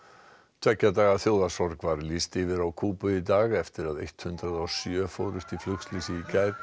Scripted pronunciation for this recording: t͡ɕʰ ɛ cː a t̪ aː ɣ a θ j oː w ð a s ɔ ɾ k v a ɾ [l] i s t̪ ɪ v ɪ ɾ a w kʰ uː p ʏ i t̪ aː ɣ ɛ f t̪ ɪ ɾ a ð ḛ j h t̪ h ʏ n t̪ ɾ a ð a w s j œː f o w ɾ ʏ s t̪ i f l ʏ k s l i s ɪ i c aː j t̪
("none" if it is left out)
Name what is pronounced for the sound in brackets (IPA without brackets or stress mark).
l